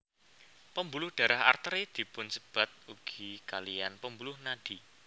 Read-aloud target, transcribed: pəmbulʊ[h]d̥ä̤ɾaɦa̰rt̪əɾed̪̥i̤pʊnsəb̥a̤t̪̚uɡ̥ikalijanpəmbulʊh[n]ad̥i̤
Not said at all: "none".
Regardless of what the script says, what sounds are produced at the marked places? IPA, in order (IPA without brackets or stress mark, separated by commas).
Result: h, n